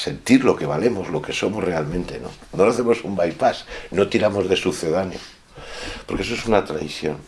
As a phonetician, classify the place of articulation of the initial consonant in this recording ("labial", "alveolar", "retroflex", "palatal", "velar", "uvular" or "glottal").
alveolar